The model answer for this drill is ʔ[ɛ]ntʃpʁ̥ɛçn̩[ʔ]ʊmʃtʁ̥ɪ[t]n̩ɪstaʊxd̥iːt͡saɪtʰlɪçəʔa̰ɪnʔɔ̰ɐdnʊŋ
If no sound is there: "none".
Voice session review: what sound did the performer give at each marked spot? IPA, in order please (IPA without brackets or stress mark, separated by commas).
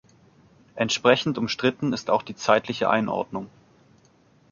ɛ, t, t